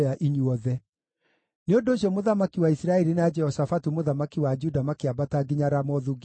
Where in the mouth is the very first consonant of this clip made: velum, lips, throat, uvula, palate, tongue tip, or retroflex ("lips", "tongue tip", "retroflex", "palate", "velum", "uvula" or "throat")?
throat